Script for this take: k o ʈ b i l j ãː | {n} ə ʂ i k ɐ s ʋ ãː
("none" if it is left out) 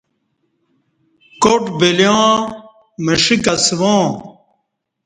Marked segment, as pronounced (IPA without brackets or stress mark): m